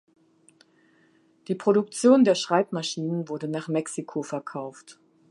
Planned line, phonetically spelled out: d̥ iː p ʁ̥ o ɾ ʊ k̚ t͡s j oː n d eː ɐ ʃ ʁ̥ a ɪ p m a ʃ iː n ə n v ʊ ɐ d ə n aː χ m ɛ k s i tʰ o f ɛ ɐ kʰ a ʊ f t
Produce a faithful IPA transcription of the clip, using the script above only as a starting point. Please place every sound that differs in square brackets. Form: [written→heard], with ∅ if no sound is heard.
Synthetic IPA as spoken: d̥ iː p ʁ̥ o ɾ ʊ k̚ t͡s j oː n d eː ɐ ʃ ʁ̥ a ɪ p m a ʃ iː n ə n v ʊ ɐ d ə n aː χ m ɛ k s i [tʰ→kʰ] o f ɛ ɐ kʰ a ʊ f t